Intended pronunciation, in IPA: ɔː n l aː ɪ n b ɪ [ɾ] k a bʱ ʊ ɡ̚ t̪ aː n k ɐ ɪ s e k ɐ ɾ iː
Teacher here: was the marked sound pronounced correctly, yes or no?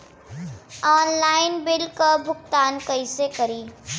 no